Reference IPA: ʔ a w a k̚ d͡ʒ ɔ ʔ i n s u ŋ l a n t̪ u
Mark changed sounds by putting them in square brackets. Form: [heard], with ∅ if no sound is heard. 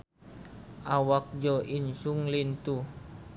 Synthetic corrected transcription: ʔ a w a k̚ d͡ʒ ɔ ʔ i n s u ŋ l [i] n t̪ u